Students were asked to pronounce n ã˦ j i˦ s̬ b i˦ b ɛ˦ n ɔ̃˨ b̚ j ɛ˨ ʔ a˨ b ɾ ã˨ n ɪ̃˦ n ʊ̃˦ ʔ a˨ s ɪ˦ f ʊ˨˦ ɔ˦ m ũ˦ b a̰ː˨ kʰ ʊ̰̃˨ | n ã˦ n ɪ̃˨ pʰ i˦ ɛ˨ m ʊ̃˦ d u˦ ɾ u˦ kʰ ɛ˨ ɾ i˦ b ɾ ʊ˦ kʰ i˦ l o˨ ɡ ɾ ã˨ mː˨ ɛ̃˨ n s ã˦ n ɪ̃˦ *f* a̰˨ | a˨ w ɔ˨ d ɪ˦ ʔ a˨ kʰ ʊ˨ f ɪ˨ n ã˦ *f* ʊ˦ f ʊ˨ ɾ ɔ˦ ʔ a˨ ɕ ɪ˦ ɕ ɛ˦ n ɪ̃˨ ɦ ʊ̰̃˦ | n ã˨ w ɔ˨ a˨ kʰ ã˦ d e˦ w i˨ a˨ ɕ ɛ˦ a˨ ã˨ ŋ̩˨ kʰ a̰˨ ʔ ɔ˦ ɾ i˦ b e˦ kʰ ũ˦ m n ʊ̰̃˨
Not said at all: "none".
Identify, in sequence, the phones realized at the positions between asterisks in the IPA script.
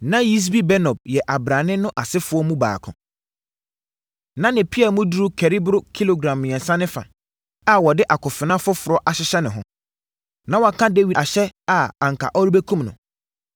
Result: f, f

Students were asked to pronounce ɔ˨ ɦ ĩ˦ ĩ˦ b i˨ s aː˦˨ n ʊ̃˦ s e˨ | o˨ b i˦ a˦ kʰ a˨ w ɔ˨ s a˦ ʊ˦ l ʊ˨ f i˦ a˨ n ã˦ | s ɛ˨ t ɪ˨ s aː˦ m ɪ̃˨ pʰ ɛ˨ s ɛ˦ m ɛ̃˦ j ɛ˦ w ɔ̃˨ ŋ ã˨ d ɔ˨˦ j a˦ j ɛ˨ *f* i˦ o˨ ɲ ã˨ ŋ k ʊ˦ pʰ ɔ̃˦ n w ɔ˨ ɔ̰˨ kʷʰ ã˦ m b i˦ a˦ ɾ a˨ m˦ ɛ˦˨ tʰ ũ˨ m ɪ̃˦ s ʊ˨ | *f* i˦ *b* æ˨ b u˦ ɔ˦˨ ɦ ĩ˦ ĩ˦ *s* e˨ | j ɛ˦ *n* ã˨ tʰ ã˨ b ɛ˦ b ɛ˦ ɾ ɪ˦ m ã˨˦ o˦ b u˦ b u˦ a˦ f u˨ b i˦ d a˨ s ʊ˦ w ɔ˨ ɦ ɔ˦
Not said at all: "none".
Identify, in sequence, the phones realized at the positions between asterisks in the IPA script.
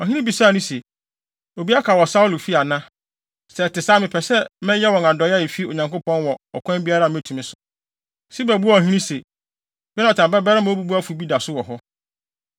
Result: f, s, b, s, n

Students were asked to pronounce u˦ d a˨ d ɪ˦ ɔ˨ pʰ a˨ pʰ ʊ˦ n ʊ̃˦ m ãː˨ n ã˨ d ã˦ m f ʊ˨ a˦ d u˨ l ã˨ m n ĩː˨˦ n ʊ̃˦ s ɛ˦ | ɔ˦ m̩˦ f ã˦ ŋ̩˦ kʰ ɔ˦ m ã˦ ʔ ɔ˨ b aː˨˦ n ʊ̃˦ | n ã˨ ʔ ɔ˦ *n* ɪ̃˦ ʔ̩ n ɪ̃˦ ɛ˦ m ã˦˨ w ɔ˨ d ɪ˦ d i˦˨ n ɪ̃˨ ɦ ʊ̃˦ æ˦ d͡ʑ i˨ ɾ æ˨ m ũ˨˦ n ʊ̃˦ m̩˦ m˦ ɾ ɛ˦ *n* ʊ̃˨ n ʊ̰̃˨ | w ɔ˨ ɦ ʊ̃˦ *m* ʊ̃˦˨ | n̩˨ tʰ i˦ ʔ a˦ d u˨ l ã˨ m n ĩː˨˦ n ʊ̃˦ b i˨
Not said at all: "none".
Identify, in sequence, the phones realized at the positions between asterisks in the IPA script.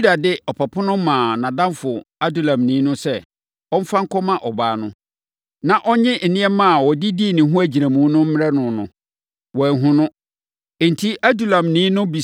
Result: ɲ, n, n

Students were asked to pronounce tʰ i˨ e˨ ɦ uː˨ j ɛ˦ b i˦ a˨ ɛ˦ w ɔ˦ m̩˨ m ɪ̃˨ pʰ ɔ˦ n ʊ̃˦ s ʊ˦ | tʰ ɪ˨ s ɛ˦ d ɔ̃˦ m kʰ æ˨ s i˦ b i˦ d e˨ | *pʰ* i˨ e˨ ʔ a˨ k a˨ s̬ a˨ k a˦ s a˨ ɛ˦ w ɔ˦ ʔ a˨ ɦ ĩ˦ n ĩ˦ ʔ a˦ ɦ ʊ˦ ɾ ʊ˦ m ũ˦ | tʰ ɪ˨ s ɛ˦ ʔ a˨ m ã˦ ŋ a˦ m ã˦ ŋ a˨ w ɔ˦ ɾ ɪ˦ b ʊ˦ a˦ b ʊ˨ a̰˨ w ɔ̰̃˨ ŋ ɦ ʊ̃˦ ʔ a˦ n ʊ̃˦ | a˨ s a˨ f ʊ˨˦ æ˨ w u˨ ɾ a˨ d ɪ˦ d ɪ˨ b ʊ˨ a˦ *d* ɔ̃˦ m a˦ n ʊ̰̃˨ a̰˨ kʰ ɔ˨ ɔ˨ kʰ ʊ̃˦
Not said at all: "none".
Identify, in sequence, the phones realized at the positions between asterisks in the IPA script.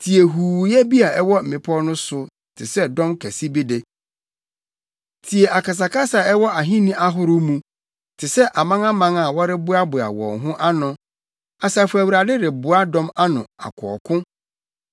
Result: tʰ, d

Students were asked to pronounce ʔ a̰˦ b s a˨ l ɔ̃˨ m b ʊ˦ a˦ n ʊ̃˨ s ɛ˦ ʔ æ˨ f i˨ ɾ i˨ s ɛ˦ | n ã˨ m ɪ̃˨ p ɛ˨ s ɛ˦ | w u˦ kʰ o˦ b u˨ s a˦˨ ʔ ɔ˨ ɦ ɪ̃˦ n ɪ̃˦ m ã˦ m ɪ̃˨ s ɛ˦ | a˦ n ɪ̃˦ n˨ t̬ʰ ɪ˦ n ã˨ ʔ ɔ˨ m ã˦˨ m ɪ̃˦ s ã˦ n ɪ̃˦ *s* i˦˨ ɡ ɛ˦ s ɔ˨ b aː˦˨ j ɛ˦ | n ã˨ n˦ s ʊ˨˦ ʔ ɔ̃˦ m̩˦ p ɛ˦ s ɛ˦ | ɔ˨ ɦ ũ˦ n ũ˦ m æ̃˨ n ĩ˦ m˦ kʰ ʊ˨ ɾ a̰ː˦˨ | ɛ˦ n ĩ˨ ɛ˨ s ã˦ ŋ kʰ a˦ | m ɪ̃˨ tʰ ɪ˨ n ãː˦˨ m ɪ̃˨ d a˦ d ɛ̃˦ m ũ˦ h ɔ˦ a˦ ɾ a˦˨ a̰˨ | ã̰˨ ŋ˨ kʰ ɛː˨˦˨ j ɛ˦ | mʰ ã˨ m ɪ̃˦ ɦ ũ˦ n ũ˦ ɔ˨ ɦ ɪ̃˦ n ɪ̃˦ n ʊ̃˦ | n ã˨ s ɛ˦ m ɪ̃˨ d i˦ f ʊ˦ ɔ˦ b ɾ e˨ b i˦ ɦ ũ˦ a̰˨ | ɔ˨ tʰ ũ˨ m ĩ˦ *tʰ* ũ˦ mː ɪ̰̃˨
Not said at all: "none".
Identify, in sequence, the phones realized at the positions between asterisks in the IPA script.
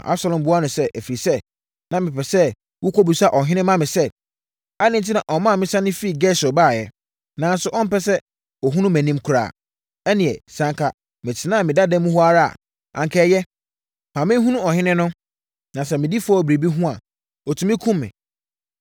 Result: f, kʰ

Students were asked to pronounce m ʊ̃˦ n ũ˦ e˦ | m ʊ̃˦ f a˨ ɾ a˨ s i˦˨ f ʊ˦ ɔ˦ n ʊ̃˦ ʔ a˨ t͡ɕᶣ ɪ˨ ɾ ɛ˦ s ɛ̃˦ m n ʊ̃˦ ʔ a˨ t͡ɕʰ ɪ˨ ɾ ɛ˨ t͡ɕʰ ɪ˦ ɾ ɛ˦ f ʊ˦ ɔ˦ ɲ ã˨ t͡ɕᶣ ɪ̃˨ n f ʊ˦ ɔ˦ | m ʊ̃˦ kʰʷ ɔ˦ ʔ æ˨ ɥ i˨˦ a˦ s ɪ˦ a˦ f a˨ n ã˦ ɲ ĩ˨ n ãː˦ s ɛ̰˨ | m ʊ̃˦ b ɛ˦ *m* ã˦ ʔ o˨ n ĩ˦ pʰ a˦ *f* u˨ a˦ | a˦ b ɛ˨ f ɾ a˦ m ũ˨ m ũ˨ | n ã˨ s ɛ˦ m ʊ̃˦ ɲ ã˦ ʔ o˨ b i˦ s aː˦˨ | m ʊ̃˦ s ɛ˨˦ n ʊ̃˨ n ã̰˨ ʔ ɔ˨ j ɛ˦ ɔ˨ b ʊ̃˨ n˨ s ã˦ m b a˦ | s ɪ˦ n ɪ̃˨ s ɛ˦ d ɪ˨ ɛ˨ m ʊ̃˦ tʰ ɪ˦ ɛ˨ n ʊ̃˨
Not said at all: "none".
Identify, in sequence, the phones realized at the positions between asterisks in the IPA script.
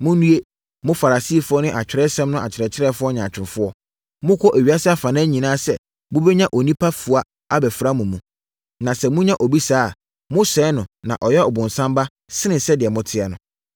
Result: ɲ, f

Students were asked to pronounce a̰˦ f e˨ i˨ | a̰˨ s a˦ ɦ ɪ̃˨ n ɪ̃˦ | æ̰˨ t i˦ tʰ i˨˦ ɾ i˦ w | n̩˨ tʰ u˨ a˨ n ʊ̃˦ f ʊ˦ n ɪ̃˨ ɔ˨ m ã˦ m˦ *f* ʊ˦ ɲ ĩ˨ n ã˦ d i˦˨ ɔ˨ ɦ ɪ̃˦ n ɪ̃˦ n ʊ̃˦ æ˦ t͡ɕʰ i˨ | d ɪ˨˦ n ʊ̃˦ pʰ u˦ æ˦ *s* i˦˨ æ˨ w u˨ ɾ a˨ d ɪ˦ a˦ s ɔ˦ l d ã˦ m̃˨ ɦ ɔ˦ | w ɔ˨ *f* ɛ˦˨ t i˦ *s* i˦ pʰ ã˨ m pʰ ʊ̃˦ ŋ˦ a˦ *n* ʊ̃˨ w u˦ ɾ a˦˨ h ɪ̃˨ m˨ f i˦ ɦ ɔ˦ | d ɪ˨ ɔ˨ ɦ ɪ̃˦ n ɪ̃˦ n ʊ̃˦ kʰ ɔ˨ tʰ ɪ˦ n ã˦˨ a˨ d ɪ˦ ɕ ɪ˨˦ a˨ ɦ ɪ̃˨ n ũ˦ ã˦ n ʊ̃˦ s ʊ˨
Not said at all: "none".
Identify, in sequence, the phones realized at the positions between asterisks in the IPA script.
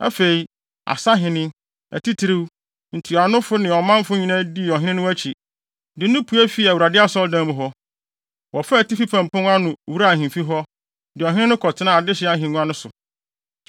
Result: f, f, f, f, n

